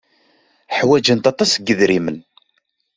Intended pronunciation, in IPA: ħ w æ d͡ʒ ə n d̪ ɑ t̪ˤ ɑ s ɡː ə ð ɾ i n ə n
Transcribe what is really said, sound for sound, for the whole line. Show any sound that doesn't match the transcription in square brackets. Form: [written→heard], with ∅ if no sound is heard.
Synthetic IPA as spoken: ħ w æ d͡ʒ ə n [d̪→t̪] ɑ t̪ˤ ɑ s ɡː ə ð ɾ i [n→m] ə n